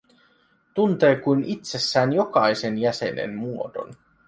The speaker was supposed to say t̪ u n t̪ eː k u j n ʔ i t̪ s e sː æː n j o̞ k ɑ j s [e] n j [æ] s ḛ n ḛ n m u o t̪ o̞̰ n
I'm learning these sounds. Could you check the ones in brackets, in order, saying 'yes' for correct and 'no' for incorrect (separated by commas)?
yes, yes